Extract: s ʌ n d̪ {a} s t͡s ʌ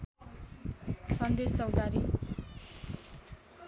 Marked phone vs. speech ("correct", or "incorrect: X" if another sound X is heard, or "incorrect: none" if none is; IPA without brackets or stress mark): incorrect: e